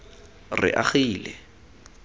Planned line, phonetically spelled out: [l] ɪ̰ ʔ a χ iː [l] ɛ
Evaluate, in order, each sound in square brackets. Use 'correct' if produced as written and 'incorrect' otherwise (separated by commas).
incorrect, correct